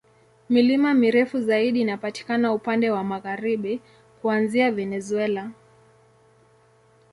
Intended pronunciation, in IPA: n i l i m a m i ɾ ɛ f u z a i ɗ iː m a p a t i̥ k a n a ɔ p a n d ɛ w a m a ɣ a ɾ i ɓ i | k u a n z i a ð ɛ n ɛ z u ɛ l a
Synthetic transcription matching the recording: m i l i m a m i ɾ ɛ f u z a i ɗ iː n a p a t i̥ k a n a u p a n d ɛ w a m a ɣ a ɾ i ɓ i | k u a n z i a v ɛ n ɛ z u ɛ l a